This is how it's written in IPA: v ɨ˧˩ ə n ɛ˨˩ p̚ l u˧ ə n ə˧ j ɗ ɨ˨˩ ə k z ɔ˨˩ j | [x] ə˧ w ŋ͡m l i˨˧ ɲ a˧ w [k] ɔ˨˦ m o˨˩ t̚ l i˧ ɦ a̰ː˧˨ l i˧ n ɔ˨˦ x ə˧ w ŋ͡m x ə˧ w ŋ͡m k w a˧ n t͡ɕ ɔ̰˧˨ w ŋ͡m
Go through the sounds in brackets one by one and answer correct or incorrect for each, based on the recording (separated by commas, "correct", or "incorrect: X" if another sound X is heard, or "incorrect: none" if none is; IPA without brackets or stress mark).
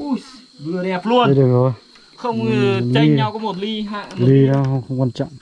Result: correct, correct